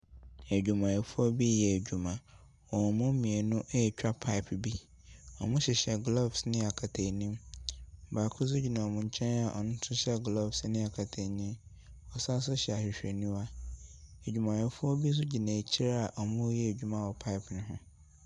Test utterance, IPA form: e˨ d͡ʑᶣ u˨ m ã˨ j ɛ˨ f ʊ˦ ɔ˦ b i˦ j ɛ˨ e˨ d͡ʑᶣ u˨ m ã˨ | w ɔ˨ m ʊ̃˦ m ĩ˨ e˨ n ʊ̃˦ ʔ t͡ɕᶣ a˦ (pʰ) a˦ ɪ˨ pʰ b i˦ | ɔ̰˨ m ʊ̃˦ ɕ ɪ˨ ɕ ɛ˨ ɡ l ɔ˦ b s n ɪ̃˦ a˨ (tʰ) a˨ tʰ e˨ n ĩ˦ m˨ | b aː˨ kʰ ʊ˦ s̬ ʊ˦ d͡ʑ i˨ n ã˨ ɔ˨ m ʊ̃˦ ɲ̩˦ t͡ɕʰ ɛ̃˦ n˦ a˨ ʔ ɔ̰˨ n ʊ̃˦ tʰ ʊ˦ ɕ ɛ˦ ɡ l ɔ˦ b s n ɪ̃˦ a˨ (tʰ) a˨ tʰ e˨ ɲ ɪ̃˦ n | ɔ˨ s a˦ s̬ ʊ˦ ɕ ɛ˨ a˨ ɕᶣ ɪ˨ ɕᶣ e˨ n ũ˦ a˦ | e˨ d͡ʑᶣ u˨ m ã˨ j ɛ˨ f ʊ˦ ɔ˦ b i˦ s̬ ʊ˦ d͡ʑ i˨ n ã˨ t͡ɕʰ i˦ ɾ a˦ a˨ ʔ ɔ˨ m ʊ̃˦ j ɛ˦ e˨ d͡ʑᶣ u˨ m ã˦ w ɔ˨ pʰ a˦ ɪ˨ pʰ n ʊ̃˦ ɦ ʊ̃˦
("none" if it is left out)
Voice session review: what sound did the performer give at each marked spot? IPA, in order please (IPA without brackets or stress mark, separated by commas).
pʰ, kʰ, kʰ